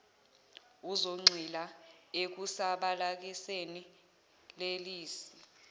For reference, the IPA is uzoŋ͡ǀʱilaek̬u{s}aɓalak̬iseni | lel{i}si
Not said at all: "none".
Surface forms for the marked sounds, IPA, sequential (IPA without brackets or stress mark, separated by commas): s, iː